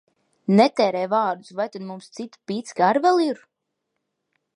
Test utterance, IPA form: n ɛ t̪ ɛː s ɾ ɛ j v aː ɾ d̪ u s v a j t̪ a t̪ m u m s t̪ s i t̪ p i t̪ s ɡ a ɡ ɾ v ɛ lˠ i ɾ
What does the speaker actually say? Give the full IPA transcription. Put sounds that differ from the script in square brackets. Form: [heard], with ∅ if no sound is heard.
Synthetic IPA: n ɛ t̪ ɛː [∅] ɾ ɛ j v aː ɾ d̪ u s v a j t̪ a [d̪] m u m s t̪ s i t̪ p i t̪ s ɡ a [∅] ɾ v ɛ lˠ i ɾ